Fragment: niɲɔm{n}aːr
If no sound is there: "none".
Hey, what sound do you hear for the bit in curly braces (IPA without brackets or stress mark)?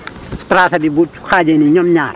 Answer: ɲ